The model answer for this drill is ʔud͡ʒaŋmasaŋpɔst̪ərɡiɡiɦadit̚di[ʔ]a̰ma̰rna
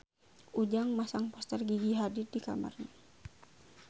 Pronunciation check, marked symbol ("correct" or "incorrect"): incorrect